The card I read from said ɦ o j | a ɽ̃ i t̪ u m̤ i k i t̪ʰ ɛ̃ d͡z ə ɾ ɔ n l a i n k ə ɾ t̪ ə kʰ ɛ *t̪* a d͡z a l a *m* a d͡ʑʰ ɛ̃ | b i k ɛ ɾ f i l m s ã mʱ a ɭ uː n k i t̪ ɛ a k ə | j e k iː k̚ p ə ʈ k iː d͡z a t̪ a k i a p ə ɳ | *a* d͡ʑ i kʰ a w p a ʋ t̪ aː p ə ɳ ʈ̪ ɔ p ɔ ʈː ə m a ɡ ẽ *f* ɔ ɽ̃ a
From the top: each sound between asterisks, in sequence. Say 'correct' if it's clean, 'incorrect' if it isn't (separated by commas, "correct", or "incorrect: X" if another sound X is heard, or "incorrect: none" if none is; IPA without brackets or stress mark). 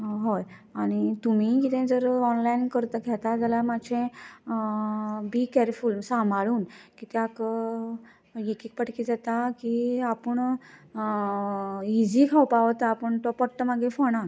correct, correct, incorrect: i, correct